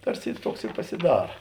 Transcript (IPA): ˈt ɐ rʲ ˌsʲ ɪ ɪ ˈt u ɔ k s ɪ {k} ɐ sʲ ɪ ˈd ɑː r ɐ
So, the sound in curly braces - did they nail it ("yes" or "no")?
no